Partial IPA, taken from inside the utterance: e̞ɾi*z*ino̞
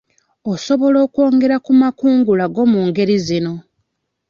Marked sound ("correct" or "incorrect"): correct